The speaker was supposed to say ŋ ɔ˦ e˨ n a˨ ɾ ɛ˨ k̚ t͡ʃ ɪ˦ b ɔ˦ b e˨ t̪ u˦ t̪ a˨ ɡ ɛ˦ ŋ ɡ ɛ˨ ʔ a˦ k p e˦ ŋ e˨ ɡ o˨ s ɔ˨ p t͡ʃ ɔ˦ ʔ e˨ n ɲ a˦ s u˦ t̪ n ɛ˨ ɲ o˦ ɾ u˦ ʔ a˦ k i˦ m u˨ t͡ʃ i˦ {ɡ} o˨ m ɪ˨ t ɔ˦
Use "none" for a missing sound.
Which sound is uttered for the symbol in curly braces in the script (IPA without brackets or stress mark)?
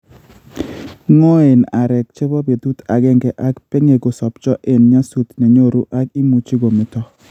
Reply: ɡ